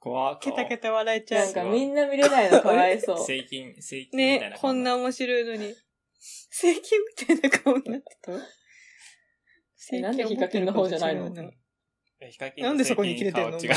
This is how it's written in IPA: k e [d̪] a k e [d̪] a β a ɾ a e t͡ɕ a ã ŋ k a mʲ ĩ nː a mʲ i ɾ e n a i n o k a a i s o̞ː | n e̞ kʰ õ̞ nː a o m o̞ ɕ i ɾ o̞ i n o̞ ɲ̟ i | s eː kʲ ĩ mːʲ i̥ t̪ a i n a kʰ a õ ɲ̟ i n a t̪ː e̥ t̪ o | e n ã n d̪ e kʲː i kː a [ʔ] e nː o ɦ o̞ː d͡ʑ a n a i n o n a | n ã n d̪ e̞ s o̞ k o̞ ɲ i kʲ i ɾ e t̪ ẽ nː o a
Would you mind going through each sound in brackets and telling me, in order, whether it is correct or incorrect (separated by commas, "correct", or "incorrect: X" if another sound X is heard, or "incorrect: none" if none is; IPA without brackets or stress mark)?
incorrect: t̪, incorrect: t̪, incorrect: k